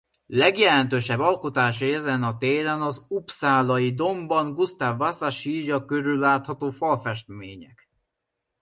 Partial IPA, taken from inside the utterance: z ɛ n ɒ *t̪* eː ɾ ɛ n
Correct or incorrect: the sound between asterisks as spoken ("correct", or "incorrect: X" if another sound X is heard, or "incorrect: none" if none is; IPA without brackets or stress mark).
correct